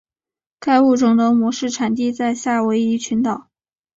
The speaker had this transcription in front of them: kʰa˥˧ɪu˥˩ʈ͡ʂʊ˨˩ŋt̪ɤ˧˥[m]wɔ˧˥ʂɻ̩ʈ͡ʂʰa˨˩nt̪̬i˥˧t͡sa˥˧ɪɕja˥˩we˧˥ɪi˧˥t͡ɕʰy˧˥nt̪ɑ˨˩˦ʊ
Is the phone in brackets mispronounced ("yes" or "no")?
no